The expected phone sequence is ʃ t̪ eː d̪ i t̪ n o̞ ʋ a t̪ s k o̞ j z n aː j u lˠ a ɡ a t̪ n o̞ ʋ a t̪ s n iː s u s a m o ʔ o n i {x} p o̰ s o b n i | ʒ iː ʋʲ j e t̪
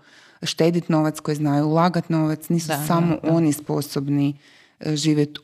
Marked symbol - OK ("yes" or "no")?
no